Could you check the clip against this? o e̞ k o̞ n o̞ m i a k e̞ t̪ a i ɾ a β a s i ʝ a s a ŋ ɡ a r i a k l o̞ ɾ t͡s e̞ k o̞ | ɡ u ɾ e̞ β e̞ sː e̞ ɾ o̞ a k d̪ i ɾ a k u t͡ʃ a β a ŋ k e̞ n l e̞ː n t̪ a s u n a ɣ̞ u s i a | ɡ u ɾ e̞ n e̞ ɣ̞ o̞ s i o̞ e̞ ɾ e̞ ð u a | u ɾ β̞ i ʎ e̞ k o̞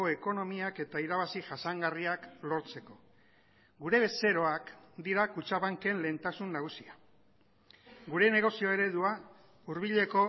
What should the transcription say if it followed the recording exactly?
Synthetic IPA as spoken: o e̞ k o̞ n o̞ m i a k e̞ t̪ a i ɾ a β a s i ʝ a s a ŋ ɡ a r i a k l o̞ ɾ t͡s e̞ k o̞ | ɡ u ɾ e̞ β e̞ s e̞ ɾ o̞ a k d̪ i ɾ a k u t͡ʃ a β a ŋ k e̞ n l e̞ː n t̪ a s u nː a ɣ̞ u s i a | ɡ u ɾ e̞ n e̞ ɣ̞ o̞ s i o̞ e̞ ɾ e̞ ð u a | u ɾ β̞ i ʎ e̞ k o̞

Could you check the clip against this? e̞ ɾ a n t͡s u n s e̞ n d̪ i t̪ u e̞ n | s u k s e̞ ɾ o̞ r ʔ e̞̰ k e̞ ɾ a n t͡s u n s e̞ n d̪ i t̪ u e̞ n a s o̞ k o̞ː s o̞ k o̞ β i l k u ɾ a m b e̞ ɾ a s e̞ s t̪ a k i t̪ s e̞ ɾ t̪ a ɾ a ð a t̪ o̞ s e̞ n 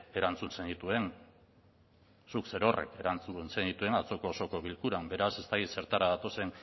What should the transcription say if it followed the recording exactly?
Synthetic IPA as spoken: e̞ ɾ a n t͡s u n s e̞ n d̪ i t̪ u e̞ n | s u k s e̞ ɾ o̞ r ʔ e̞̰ k e̞ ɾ a n t͡s u n s e̞ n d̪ i t̪ u e̞ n a t͡s o̞ k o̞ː s o̞ k o̞ β i l k u ɾ a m b e̞ ɾ a s e̞ s t̪ a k i t̪ s e̞ ɾ t̪ a ɾ a ð a t̪ o̞ s e̞ n

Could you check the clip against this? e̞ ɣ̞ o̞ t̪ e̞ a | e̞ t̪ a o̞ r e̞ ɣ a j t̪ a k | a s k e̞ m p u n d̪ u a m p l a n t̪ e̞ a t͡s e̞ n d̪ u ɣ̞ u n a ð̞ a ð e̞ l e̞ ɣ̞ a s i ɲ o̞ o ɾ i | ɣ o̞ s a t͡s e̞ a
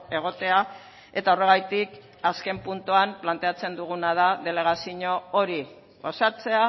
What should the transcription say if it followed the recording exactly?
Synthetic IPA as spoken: e̞ ɣ̞ o̞ t̪ e̞ a | e̞ t̪ a o̞ r e̞ ɣ a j t̪ i k | a s k e̞ m p u n t̪ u a m p l a n t̪ e̞ a t͡s e̞ n d̪ u ɣ̞ u n a ð̞ a ð e̞ l e̞ ɣ̞ a s i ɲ o̞ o ɾ i | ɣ o̞ s a t͡s e̞ a

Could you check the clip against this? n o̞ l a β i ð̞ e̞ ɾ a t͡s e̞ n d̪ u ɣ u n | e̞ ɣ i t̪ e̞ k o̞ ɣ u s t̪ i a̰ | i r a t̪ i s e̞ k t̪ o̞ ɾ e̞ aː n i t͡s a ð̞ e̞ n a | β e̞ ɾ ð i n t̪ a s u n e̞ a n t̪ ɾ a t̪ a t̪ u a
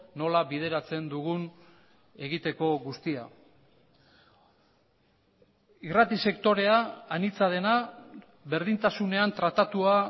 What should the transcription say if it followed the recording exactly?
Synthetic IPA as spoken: n o̞ l a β i ð̞ e̞ ɾ a t͡s e̞ n d̪ u ɣ u n | e̞ ɣ i t̪ e̞ k o̞ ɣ u s t̪ i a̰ | i r a t̪ i s e̞ k t̪ o̞ ɾ e̞ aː n i t͡s a ð̞ e̞ n a | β e̞ ɾ ð i n t̪ a s u n e̞ a n t̪ ɾ a t̪ a t̪ u a

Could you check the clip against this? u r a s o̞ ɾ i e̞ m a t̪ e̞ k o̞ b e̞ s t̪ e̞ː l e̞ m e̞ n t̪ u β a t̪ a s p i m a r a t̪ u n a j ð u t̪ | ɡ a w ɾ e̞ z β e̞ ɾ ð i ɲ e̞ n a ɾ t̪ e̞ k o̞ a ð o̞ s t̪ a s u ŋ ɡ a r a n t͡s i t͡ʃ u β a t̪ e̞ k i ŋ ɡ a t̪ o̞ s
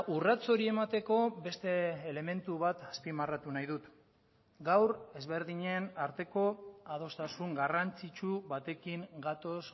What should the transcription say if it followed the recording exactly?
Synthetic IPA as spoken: u r a t͡s o̞ ɾ i e̞ m a t̪ e̞ k o̞ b e̞ s t̪ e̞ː l e̞ m e̞ n t̪ u β a t̪ a s p i m a r a t̪ u n a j ð u t̪ | ɡ a w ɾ e̞ z β e̞ ɾ ð i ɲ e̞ n a ɾ t̪ e̞ k o̞ a ð o̞ s t̪ a s u ŋ ɡ a r a n t͡s i t͡ʃ u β a t̪ e̞ k i ŋ ɡ a t̪ o̞ s

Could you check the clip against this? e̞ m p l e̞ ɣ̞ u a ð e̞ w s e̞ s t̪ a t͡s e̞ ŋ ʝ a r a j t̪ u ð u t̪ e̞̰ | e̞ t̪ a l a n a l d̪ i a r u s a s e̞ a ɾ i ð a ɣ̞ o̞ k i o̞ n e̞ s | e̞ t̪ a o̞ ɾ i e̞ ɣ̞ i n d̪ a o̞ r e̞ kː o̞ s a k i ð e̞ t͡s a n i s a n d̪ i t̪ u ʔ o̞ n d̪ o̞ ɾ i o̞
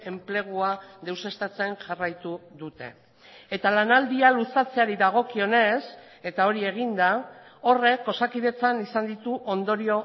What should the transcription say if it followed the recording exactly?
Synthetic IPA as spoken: e̞ m p l e̞ ɣ̞ u a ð e̞ w s e̞ s t̪ a t͡s e̞ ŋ ʝ a r a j t̪ u ð u t̪ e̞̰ | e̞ t̪ a l a n a l d̪ i a l u s a t͡s e̞ a ɾ i ð a ɣ̞ o̞ k i o̞ n e̞ s | e̞ t̪ a o̞ ɾ i e̞ ɣ̞ i n d̪ a o̞ r e̞ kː o̞ s a k i ð e̞ t͡s a n i s a n d̪ i t̪ u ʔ o̞ n d̪ o̞ ɾ i o̞

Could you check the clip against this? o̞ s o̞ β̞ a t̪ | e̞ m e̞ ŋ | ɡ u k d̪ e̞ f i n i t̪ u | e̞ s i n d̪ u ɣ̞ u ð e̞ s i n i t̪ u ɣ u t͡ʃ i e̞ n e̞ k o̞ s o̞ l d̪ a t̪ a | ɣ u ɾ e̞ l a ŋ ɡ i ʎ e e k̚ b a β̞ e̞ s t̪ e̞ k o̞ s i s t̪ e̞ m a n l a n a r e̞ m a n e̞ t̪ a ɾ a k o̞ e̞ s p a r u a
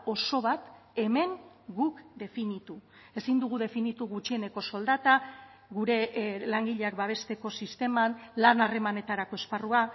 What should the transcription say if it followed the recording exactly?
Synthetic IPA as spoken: o̞ s o̞ β̞ a t̪ | e̞ m e̞ ŋ | ɡ u k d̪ e̞ f i n i t̪ u | e̞ s i n d̪ u ɣ̞ u ð e̞ f i n i t̪ u ɣ u t͡ʃ i e̞ n e̞ k o̞ s o̞ l d̪ a t̪ a | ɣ u ɾ e̞ l a ŋ ɡ i ʎ e a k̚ b a β̞ e̞ s t̪ e̞ k o̞ s i s t̪ e̞ m a n l a n a r e̞ m a n e̞ t̪ a ɾ a k o̞ e̞ s p a r u a

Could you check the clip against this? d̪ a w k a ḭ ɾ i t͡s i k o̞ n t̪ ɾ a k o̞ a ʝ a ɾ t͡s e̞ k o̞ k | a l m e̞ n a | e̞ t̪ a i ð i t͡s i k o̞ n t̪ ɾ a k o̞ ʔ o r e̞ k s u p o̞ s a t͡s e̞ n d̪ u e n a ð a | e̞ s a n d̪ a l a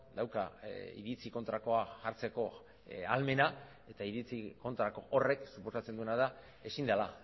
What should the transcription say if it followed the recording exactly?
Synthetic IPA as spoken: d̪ a w k a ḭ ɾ i t͡s i k o̞ n t̪ ɾ a k o̞ a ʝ a ɾ t͡s e̞ k o̞ | a l m e̞ n a | e̞ t̪ a i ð i t͡s i k o̞ n t̪ ɾ a k o̞ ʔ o r e̞ k s u p o̞ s a t͡s e̞ n d̪ u e n a ð a | e̞ s i n d̪ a l a

